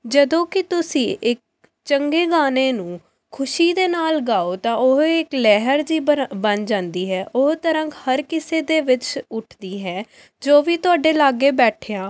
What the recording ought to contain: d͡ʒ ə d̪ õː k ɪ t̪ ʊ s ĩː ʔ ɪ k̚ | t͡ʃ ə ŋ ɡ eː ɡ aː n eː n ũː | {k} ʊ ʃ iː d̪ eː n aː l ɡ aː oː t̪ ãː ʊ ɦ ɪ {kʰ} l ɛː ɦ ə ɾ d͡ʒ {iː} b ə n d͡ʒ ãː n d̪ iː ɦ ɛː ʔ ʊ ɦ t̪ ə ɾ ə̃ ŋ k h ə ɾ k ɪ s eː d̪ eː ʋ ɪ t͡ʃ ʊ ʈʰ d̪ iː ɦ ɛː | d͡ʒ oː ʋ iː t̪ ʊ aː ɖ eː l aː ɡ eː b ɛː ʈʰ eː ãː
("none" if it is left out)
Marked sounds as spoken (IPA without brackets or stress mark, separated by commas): kʰ, k, iː